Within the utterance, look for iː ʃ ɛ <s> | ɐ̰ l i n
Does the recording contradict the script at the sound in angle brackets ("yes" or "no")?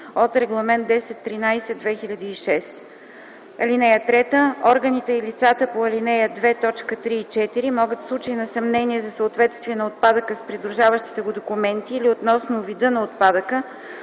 no